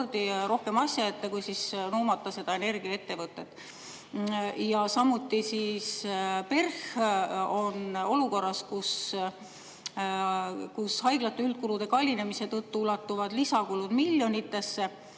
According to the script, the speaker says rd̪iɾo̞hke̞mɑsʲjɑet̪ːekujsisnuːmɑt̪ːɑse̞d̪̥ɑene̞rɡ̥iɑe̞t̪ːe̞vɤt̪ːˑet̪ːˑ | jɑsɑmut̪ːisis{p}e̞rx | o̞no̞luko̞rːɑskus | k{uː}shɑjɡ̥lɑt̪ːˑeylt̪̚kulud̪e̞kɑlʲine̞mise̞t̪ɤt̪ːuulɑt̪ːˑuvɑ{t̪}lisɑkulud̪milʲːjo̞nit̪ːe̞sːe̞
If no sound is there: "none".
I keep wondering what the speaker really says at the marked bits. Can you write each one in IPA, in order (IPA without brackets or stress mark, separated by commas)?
p, u, d̪